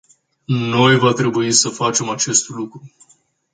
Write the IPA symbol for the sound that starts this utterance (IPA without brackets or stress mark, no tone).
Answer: n